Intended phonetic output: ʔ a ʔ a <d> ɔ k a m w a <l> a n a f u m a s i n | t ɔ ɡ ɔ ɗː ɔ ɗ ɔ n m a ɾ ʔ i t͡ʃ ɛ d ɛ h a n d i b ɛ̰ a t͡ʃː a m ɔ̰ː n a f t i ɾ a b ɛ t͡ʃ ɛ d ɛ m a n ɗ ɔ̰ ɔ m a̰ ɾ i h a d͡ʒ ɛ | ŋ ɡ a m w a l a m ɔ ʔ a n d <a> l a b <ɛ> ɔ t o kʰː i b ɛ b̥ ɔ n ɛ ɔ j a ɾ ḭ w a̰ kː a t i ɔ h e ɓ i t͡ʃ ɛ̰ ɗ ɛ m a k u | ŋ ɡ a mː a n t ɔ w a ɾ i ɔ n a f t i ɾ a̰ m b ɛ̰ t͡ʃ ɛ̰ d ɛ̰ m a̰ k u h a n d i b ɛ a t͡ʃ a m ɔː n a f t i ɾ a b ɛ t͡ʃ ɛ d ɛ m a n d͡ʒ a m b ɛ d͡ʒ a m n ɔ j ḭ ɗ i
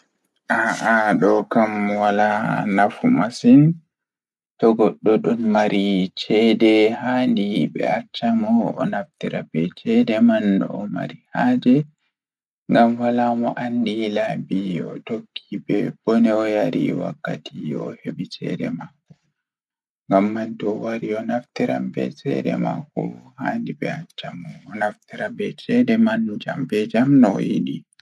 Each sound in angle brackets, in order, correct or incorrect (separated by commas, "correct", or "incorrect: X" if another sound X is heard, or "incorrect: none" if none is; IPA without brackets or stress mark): incorrect: ɗ, correct, incorrect: i, incorrect: i